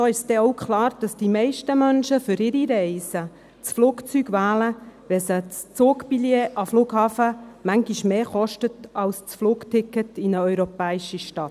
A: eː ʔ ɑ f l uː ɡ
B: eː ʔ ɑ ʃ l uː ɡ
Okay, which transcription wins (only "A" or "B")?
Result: A